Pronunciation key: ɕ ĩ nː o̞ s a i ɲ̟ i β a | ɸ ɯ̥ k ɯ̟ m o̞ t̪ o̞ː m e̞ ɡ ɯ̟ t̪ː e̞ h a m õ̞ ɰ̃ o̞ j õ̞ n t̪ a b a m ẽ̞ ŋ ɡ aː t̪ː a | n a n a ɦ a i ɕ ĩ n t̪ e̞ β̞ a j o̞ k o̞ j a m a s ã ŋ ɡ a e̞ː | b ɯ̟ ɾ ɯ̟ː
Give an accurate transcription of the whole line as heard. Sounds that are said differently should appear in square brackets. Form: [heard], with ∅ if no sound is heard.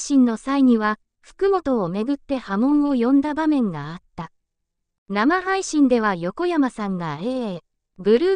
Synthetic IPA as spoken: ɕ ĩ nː o̞ s a i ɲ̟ i β a | ɸ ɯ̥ k ɯ̟ m o̞ t̪ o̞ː m e̞ ɡ ɯ̟ t̪ː e̞ h a m õ̞ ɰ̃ o̞ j õ̞ n [d̪] a b a m ẽ̞ ŋ ɡ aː t̪ː a | n a [m] a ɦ a i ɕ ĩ n [d̪] e̞ β̞ a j o̞ k o̞ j a m a s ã ŋ ɡ a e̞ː | b ɯ̟ ɾ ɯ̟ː